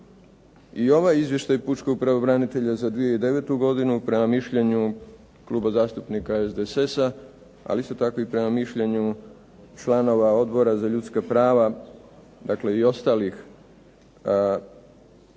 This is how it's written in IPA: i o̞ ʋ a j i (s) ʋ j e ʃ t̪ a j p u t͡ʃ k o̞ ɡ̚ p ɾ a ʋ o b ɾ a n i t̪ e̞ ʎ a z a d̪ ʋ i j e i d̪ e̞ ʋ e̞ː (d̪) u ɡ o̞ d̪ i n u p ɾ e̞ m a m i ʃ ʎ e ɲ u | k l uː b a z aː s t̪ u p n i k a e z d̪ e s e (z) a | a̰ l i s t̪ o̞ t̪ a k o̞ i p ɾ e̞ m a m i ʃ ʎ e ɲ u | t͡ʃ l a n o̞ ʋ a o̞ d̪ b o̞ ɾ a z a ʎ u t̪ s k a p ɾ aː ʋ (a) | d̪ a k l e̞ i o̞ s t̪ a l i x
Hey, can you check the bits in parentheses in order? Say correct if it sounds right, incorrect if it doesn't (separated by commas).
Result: incorrect, incorrect, incorrect, correct